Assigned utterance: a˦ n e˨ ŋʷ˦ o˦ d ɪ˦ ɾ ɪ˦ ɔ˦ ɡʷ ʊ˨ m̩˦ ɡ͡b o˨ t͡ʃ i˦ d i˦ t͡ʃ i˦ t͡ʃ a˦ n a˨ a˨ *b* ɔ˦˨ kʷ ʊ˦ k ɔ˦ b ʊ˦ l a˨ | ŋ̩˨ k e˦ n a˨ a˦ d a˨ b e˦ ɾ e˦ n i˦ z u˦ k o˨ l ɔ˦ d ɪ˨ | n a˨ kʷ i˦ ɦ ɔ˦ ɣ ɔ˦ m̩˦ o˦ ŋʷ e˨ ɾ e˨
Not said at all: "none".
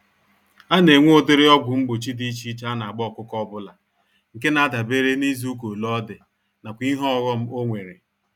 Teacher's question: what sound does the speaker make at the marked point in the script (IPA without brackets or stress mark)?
ɡ͡b